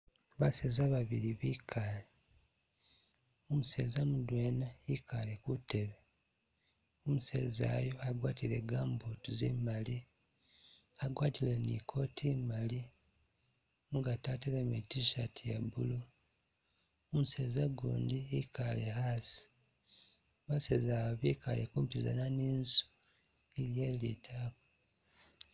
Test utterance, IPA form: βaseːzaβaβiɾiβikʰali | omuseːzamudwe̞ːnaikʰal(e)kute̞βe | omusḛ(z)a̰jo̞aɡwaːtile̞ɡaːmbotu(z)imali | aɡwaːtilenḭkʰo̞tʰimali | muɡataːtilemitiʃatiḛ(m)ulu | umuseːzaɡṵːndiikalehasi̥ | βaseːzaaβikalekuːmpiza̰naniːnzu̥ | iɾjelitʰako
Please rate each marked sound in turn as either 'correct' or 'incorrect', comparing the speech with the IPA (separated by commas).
correct, correct, correct, incorrect